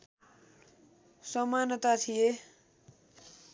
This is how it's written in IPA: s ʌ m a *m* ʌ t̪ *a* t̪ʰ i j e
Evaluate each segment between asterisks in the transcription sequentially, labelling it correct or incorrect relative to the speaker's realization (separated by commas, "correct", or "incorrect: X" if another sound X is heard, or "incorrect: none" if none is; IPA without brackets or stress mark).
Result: incorrect: n, correct